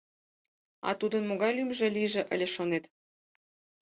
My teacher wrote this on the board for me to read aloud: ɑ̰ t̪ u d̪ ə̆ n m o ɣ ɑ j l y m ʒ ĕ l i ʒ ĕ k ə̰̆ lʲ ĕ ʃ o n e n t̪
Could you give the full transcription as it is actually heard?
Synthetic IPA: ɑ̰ t̪ u d̪ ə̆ n m o ɣ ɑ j l y m ʒ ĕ l i ʒ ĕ ʔ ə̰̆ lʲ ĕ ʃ o n e t̪